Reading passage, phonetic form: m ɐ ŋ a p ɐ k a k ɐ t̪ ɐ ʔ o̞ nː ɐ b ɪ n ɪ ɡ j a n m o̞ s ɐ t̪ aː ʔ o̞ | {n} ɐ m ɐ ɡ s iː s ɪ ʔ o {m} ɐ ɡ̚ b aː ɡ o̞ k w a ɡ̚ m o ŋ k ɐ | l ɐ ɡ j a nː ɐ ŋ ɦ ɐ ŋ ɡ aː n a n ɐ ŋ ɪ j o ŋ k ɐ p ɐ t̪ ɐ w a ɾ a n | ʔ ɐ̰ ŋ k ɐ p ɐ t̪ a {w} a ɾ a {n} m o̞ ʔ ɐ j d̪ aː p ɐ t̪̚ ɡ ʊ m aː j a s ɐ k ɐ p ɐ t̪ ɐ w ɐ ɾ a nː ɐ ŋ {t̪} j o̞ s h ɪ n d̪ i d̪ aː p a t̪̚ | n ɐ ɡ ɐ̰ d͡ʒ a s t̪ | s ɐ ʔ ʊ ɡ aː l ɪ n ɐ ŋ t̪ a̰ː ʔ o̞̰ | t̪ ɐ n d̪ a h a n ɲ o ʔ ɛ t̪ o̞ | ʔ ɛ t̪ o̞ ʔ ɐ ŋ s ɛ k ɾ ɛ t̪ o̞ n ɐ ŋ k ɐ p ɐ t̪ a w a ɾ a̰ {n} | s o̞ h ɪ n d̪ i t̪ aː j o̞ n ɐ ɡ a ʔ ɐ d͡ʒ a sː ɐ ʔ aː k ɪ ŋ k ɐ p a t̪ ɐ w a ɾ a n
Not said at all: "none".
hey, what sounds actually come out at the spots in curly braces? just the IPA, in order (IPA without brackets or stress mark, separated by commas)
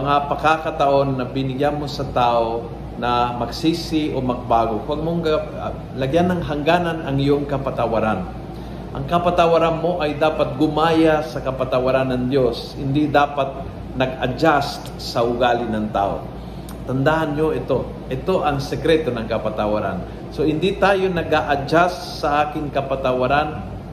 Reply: n, m, w, n, d̪, n